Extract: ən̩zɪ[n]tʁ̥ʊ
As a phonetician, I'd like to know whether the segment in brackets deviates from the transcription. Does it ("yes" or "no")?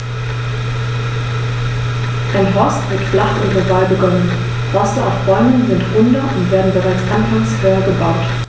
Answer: no